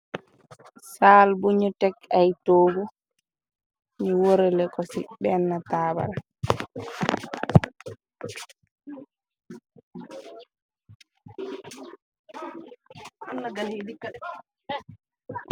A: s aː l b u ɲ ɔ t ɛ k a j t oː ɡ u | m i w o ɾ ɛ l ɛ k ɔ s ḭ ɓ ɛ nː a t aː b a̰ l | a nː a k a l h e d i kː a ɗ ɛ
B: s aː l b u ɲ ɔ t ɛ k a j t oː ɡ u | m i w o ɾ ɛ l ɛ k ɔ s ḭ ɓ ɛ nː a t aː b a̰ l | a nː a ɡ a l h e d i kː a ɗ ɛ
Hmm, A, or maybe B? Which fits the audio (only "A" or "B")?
B